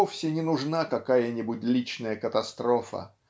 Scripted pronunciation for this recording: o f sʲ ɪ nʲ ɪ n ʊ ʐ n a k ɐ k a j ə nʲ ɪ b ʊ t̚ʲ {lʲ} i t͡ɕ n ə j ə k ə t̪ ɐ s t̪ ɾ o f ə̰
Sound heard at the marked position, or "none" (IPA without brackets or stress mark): lʲ